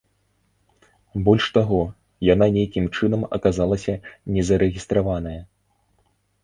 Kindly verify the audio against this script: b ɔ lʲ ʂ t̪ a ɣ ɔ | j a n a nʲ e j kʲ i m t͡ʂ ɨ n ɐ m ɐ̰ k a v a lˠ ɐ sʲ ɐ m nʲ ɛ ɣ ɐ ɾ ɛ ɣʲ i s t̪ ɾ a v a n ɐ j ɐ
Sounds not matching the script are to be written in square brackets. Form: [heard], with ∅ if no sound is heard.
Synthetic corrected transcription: b ɔ lʲ ʂ t̪ a ɣ ɔ | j a n a nʲ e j kʲ i m t͡ʂ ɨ n ɐ m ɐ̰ k a [z] a lˠ ɐ sʲ ɐ [∅] nʲ ɛ [z] ɐ ɾ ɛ ɣʲ i s t̪ ɾ a v a n ɐ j ɐ